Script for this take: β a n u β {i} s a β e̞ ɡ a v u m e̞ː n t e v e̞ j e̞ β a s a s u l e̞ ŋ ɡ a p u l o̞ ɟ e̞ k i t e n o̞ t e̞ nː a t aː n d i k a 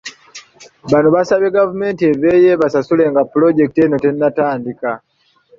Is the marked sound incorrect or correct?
incorrect